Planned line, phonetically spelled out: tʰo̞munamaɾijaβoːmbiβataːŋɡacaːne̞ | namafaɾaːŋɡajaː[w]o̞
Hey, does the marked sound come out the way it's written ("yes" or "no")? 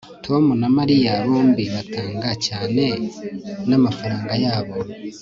no